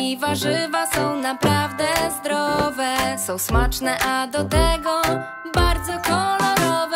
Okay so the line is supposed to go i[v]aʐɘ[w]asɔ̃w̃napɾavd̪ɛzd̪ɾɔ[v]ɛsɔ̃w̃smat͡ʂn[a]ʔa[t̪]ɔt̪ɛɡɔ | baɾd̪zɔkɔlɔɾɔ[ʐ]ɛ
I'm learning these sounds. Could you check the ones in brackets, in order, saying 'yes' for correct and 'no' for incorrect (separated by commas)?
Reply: yes, no, yes, no, no, no